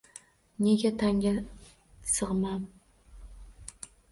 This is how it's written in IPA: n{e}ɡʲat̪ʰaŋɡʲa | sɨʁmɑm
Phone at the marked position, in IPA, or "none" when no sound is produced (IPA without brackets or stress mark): e